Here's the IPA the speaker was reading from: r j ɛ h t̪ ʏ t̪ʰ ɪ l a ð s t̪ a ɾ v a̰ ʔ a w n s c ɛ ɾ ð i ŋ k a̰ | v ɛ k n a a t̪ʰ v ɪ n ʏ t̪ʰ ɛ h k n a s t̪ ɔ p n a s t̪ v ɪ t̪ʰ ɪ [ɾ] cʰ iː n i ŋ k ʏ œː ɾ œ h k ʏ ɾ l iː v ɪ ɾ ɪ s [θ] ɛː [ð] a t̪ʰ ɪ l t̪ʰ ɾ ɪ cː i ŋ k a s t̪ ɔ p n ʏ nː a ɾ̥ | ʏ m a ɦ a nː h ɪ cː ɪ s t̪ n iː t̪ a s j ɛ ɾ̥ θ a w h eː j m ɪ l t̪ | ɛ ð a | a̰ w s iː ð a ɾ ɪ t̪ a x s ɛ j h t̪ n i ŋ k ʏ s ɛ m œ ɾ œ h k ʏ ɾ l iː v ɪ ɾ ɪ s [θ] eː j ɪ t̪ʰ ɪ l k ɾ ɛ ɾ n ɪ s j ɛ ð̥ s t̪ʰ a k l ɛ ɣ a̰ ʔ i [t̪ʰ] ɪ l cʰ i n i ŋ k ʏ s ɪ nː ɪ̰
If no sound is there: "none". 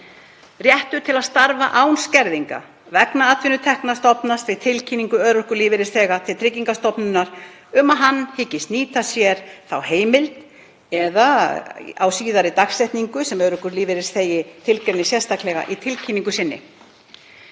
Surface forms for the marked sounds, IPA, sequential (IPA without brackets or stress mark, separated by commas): l, θ, ɣ, θ, t̪ʰ